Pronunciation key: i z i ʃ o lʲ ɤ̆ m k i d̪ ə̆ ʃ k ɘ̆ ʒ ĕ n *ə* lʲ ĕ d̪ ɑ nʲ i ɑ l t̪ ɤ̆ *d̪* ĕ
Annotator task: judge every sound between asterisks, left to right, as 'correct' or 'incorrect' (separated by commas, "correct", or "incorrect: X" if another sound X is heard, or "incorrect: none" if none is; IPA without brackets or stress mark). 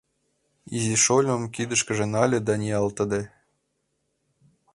incorrect: ɑ, correct